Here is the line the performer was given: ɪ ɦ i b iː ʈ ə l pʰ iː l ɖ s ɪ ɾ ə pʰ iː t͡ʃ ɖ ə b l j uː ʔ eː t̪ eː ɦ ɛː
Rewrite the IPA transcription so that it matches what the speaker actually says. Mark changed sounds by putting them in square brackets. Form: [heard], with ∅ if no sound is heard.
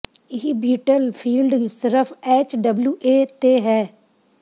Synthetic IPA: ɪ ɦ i b iː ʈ ə l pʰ iː l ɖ s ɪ ɾ ə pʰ [ɛː] t͡ʃ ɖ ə b l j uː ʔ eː t̪ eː ɦ ɛː